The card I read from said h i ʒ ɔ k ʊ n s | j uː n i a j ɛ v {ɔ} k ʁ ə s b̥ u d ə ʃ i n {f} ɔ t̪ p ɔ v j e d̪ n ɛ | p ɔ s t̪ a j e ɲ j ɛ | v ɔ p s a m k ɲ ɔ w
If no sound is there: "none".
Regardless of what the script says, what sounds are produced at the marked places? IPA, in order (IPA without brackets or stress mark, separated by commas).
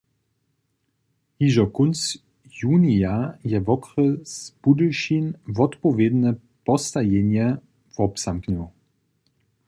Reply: ɔ, v